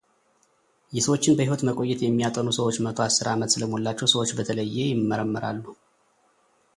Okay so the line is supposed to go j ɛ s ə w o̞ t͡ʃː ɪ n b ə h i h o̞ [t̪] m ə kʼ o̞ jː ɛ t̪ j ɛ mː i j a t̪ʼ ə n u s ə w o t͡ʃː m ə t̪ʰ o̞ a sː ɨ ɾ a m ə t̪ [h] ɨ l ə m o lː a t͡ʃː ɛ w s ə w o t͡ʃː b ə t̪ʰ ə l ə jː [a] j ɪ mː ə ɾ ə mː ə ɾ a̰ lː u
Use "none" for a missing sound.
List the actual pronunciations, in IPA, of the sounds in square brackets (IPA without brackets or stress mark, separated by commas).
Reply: t̪, s, e